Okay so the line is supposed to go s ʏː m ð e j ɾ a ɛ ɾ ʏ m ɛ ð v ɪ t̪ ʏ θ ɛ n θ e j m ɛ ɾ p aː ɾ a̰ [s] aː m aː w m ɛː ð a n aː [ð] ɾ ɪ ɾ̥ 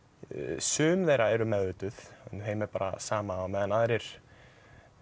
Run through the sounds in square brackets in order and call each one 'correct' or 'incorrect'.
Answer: correct, correct

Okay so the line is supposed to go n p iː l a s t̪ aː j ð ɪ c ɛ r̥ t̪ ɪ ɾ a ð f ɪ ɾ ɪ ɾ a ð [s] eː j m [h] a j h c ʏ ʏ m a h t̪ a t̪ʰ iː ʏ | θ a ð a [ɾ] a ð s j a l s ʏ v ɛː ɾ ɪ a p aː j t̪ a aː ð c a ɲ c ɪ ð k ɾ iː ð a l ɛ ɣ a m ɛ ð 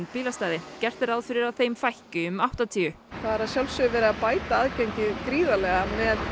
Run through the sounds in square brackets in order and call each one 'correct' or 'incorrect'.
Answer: incorrect: θ, incorrect: f, correct

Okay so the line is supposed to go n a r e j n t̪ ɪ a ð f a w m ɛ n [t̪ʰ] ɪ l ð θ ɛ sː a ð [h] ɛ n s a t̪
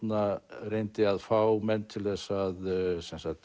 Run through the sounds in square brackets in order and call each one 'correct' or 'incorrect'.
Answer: correct, incorrect: s

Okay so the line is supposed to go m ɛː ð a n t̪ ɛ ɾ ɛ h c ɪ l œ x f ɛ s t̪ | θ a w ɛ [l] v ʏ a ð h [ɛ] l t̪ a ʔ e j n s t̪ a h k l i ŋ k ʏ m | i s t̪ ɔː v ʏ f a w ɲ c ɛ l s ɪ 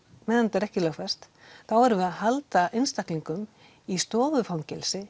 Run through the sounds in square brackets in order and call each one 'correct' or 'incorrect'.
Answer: incorrect: ɾ, incorrect: a

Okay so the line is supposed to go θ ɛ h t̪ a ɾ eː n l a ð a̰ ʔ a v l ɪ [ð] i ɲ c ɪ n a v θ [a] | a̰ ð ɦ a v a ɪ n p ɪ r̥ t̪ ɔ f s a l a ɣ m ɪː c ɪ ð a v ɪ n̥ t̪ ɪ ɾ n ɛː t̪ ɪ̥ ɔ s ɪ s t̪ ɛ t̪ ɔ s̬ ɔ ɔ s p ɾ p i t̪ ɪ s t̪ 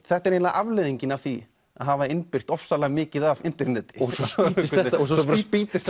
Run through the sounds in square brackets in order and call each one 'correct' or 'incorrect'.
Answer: correct, incorrect: i

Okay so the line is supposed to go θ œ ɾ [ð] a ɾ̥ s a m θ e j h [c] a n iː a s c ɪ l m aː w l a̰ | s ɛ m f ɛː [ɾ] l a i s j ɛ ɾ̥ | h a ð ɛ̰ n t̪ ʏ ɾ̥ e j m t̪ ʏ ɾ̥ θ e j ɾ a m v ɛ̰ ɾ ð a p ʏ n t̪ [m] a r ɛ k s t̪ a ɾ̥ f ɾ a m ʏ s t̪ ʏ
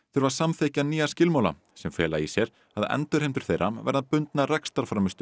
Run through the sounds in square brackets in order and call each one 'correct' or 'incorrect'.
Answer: incorrect: v, correct, incorrect: none, incorrect: n

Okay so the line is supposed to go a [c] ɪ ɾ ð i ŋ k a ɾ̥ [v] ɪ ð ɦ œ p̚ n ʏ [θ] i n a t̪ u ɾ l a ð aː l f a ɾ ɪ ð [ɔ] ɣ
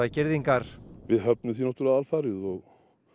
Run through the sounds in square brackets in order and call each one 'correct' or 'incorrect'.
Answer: correct, correct, correct, correct

